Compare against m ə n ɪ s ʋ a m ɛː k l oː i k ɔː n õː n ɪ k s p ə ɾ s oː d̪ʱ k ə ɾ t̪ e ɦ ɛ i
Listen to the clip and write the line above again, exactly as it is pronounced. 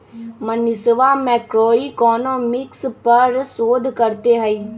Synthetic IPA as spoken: m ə n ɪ s ʋ a m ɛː k ɾ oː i k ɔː n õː m ɪ k s p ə ɾ s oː d̪ʱ k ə ɾ t̪ e ɦ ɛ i